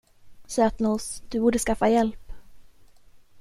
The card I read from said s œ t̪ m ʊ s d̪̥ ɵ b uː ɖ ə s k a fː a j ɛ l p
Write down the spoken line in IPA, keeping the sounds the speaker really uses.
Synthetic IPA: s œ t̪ n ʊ s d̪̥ ɵ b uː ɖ ə s k a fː a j ɛ l p